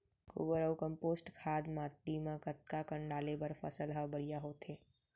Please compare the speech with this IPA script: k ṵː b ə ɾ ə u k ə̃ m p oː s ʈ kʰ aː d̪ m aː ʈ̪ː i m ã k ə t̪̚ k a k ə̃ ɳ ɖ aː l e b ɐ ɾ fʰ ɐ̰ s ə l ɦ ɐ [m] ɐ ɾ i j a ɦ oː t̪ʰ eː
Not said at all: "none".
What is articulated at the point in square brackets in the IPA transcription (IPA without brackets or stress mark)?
b